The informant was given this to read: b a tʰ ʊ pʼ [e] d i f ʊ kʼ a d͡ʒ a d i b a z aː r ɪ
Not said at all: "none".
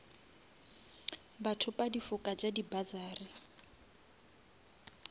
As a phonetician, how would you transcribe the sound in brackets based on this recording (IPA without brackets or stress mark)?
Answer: a